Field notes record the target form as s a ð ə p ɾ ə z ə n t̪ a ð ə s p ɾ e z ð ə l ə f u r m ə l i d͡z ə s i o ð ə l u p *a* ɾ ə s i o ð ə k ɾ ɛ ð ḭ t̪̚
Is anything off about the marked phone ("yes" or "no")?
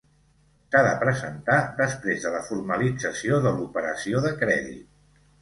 yes